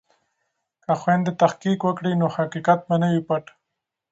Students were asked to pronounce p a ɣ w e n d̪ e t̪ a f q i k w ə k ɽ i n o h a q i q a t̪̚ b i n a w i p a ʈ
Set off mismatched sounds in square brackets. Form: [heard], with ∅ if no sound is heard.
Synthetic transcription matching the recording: [k] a [x] w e n d̪ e t̪ a [x] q i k w ə k ɽ i n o h a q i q a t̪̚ b [a] n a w i p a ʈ